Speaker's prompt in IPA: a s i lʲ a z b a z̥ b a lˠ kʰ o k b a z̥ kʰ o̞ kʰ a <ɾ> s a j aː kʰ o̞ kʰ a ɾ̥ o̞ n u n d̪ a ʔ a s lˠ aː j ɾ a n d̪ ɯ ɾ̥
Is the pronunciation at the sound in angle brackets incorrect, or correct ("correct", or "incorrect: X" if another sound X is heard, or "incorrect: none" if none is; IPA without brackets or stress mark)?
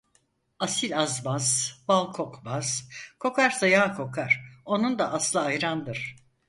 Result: correct